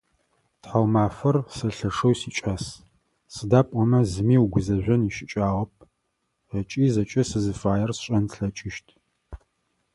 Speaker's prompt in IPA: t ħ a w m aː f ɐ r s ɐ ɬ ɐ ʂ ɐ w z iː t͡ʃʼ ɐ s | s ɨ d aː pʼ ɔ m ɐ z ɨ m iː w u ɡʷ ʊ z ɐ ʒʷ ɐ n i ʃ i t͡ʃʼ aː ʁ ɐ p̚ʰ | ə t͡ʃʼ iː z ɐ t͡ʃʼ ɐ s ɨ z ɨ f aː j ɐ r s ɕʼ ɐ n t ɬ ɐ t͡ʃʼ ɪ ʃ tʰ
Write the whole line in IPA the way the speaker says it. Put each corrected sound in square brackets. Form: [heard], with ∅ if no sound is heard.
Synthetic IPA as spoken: t ħ a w m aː f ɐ r s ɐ ɬ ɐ ʂ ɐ w [s] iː t͡ʃʼ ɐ s | s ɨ d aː pʼ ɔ m ɐ z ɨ m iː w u ɡʷ ʊ z ɐ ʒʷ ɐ n i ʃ [ɪ] t͡ʃʼ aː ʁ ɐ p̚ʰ | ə t͡ʃʼ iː z ɐ t͡ʃʼ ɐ s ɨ z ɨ f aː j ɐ r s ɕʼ ɐ n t ɬ ɐ t͡ʃʼ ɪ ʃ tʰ